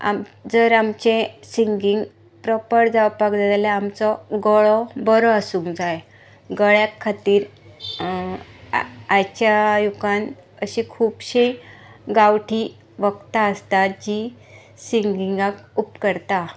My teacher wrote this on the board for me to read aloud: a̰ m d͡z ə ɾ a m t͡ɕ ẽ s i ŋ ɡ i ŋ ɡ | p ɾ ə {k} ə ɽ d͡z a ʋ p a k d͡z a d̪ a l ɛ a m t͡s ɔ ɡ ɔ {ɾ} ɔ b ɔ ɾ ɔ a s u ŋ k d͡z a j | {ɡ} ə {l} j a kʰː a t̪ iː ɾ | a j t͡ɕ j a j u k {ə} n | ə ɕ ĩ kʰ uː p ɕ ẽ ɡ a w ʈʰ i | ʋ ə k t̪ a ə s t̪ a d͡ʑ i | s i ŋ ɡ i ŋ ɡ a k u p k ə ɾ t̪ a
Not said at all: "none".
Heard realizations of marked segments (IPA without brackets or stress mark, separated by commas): p, ɭ, ɡ, ɭ, a